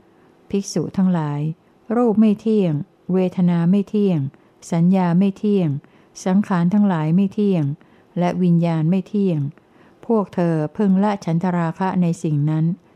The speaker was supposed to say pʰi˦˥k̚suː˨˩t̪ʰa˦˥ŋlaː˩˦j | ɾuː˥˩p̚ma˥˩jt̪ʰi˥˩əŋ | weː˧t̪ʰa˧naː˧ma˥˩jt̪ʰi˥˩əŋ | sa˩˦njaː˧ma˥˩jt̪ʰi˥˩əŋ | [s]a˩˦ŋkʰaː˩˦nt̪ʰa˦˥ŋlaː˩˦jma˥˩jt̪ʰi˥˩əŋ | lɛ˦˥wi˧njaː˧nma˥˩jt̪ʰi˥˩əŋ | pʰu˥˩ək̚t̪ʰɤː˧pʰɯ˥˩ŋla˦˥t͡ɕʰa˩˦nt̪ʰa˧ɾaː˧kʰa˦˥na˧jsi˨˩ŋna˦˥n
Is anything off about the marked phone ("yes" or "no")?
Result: no